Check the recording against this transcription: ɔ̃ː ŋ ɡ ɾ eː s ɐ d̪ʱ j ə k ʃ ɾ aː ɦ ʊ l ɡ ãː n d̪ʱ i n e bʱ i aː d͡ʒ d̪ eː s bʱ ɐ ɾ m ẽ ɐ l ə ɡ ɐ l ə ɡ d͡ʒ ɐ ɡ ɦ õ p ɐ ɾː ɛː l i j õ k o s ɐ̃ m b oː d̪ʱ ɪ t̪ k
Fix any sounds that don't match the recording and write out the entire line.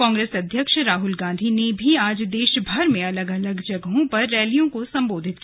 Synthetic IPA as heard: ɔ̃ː ŋ ɡ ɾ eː s ɐ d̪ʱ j ə k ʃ ɾ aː ɦ ʊ l ɡ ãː n d̪ʱ i n e bʱ i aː d͡ʒ d̪ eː ʃ bʱ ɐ ɾ m ẽ ɐ l ə ɡ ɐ l ə ɡ d͡ʒ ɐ ɡ ɦ õ p ɐ ɾː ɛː l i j õ k o s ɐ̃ m b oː d̪ʱ ɪ t̪ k